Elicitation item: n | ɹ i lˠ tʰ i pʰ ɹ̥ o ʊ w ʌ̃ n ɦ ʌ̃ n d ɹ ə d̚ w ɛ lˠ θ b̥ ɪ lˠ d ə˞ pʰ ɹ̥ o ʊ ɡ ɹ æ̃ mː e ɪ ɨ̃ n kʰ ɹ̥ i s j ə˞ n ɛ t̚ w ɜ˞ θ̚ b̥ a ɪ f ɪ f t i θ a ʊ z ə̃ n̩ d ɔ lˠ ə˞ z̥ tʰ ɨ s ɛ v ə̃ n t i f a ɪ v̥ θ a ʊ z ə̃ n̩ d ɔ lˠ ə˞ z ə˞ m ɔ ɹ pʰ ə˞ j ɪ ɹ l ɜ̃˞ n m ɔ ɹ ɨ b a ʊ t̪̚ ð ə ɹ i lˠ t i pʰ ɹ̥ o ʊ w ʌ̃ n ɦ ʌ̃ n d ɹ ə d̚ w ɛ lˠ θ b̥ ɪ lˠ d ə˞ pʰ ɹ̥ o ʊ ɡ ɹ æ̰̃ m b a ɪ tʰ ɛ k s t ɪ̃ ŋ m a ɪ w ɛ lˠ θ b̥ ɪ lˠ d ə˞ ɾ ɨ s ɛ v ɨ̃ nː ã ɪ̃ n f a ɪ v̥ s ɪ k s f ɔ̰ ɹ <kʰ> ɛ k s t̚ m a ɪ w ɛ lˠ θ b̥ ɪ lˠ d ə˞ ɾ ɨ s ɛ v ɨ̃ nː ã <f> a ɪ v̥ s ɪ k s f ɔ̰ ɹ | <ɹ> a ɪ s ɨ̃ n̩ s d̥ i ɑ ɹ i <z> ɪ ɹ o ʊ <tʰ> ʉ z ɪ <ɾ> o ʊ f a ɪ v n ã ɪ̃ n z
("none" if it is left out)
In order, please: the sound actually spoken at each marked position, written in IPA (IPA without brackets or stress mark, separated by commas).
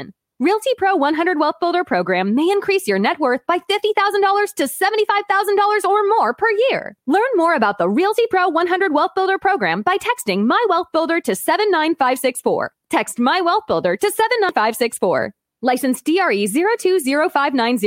tʰ, f, l, z, tʰ, ɹ